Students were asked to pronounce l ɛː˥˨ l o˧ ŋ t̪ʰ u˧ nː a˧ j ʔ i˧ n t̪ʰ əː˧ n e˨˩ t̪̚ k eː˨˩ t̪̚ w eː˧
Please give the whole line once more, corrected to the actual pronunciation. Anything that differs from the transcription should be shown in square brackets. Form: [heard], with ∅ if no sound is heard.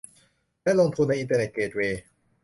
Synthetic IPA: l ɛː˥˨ l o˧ ŋ t̪ʰ u˧ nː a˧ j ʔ i˧ n [t̪] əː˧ n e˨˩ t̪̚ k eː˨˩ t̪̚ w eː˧

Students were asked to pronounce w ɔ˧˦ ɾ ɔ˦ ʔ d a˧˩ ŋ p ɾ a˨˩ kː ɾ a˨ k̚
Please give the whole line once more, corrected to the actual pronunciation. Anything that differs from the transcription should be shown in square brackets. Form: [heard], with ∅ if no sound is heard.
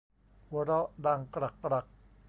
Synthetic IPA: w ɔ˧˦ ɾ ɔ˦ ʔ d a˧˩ ŋ [k] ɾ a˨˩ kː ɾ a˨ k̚

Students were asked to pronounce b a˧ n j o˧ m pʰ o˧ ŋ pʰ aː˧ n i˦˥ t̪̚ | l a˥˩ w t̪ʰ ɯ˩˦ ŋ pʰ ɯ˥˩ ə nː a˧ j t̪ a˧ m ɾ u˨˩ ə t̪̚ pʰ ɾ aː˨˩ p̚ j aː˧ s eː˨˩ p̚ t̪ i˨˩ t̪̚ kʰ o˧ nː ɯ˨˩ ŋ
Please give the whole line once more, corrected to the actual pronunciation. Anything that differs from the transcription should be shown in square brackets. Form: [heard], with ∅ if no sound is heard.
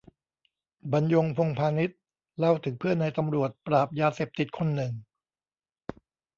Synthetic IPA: b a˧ n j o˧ [ŋ] pʰ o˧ ŋ pʰ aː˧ n i˦˥ t̪̚ | l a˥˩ w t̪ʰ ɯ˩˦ ŋ pʰ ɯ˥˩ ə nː a˧ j t̪ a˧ m ɾ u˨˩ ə t̪̚ [p] ɾ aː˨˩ p̚ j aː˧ s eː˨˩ p̚ t̪ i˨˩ t̪̚ kʰ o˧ nː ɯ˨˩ ŋ

